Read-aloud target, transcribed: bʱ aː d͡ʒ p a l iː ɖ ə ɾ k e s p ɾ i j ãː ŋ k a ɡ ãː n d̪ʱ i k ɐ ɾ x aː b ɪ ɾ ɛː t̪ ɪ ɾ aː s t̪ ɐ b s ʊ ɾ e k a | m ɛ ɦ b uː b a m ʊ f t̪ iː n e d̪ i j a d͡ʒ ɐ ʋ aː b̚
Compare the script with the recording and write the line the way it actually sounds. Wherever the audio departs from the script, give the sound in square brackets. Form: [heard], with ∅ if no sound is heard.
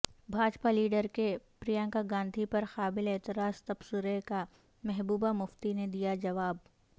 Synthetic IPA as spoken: bʱ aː d͡ʒ p a l iː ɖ ə ɾ k e [∅] p ɾ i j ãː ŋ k a ɡ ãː n d̪ʱ i [p] ɐ ɾ x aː b ɪ [l] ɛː t̪ ɪ ɾ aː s t̪ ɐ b s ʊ ɾ e k a | m ɛ ɦ b uː b a m ʊ f t̪ [i] n e d̪ i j a d͡ʒ ɐ ʋ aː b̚